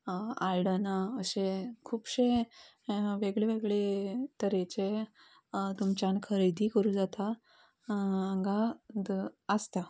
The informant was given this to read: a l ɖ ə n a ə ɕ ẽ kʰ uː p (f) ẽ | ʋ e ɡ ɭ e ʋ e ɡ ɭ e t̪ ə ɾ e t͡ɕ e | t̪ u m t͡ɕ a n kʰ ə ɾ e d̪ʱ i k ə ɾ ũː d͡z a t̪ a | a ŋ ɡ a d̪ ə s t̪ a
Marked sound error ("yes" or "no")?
yes